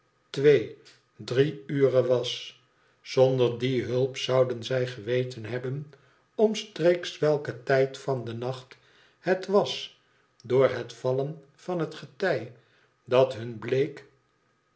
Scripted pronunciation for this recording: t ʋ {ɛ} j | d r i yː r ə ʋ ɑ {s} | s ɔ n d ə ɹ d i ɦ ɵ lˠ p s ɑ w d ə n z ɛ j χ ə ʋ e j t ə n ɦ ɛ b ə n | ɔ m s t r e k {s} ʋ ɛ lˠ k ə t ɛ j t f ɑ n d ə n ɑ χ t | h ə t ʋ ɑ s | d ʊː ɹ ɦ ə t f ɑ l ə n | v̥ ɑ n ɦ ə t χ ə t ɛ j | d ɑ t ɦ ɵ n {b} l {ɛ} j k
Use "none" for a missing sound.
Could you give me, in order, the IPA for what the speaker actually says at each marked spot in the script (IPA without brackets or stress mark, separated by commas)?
e, s, s, b, e